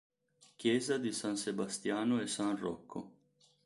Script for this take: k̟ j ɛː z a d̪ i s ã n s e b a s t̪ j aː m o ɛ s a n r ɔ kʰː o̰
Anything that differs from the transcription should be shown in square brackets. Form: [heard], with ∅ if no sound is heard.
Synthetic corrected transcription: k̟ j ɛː z a d̪ i s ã n s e b a s t̪ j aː [n] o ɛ s a n r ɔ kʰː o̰

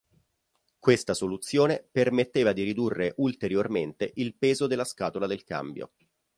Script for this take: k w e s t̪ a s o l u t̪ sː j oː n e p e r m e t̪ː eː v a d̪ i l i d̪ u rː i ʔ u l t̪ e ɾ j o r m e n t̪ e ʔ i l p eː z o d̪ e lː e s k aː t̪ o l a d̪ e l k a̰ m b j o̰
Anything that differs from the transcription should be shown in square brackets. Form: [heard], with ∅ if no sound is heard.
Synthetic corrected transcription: k w e s t̪ a s o l u t̪ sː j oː n e p e r m e t̪ː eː v a d̪ i [ɾ] i d̪ u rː [e] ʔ u l t̪ e ɾ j o r m e n t̪ e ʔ i l p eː z o d̪ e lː [a] s k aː t̪ o l a d̪ e l k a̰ m b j o̰

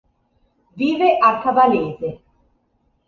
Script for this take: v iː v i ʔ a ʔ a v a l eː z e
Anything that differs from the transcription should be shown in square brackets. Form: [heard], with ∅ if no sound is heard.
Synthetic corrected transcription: v iː v [e] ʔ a [k] a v a l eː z e

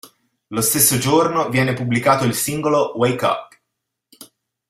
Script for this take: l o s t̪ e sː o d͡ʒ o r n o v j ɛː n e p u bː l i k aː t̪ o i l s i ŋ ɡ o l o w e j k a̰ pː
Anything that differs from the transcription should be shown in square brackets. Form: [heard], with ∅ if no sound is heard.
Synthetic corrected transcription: l o s t̪ e sː o d͡ʒ o r n o v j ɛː n e p u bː l i k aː t̪ o i l s i ŋ ɡ o l o w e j k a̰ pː

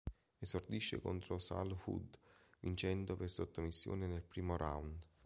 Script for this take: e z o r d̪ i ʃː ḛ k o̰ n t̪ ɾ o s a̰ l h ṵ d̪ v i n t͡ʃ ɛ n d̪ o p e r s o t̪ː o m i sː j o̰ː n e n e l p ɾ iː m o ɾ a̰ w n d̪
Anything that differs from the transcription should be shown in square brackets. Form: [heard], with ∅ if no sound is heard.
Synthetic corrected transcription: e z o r d̪ i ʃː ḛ k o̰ n t̪ ɾ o s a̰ l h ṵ d̪ v i n t͡ʃ ɛ n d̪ o p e r s o t̪ː o m i sː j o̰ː n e n e l p ɾ iː m o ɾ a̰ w n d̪

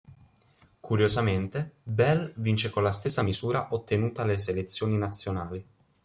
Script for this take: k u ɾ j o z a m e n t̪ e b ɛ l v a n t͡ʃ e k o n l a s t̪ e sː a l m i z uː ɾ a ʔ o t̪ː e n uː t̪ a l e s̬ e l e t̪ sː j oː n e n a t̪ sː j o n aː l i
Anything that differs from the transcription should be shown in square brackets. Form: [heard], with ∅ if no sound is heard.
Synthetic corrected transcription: k u ɾ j o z a m e n t̪ e b ɛ l v [i] n t͡ʃ e k o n l a s t̪ e sː a [∅] m i z uː ɾ a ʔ o t̪ː e n uː t̪ a l e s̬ e l e t̪ sː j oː n [i] n a t̪ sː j o n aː l i

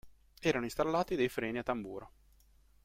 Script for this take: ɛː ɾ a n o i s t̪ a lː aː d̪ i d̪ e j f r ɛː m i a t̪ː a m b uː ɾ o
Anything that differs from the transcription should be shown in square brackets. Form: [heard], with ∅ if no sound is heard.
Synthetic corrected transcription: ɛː ɾ a n o i s t̪ a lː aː [t̪] i d̪ e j f [ɾ] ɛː [n] i a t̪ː a m b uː ɾ o

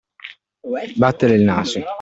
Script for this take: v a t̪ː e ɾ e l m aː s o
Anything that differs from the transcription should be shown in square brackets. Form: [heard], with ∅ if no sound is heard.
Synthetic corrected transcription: [b] a t̪ː e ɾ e l [n] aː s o

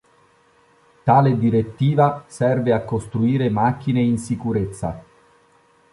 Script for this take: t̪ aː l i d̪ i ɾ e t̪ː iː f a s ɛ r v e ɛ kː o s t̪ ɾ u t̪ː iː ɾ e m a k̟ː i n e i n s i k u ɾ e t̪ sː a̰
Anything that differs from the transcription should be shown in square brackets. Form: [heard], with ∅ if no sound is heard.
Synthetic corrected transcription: t̪ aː l [e] d̪ i ɾ e t̪ː iː [v] a s ɛ r v e [a] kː o s t̪ ɾ u [∅] iː ɾ e m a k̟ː i n e i n s i k u ɾ e t̪ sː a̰

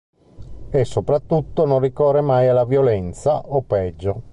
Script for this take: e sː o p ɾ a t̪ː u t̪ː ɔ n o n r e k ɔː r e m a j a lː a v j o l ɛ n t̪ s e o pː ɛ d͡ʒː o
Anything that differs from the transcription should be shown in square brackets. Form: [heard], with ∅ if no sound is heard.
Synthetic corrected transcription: e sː o p ɾ a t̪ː u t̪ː [o] n o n r [i] k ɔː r e m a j a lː a v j o l ɛ n t̪ s [a] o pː ɛ d͡ʒː o

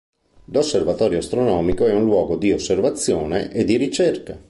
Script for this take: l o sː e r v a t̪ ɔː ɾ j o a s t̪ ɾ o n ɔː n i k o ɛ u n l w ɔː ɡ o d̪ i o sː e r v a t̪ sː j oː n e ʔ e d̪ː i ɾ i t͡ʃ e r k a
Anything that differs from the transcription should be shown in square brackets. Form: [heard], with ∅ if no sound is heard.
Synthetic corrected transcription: l o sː e r v a t̪ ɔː ɾ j o a s t̪ ɾ o n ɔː [m] i k o ɛ u n l w ɔː ɡ o d̪ i o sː e r v a t̪ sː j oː n e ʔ e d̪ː i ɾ i t͡ʃ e r k a

